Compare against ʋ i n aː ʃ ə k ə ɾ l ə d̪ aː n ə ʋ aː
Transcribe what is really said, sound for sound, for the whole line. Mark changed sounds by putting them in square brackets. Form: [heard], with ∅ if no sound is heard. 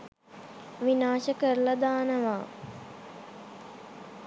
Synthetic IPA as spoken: ʋ i n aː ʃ ə k ə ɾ l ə d̪ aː n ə ʋ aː